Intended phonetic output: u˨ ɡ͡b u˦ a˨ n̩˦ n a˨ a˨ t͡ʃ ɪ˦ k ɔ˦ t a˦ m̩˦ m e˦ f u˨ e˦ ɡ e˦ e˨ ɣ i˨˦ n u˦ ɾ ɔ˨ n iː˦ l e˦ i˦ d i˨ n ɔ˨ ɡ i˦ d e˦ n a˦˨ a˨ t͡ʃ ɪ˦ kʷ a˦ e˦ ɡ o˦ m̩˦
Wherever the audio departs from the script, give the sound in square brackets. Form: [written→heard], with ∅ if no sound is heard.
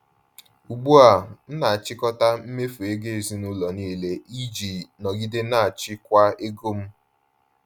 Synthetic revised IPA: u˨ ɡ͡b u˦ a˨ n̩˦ n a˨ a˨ t͡ʃ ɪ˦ k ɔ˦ t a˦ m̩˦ m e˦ f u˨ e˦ ɡ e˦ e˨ [ɣ→z] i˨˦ n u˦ [ɾ→l] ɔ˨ n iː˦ l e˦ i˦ [d→d͡ʒ] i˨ n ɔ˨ ɡ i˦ d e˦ n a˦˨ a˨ t͡ʃ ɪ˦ kʷ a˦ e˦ ɡ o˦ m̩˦